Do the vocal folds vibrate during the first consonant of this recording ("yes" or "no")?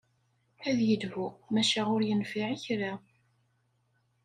yes